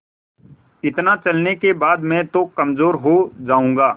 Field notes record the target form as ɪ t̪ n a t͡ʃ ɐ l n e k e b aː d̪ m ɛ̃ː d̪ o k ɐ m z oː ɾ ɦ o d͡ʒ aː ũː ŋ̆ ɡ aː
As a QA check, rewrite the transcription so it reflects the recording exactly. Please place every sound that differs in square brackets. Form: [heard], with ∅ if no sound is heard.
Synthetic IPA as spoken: ɪ t̪ n a t͡ʃ ɐ l n e k e b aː d̪ m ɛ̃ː [t̪] o k ɐ m z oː ɾ ɦ o d͡ʒ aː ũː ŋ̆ ɡ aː